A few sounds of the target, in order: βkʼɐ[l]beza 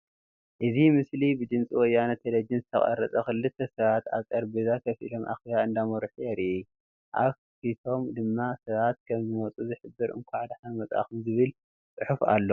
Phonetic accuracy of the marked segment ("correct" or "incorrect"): incorrect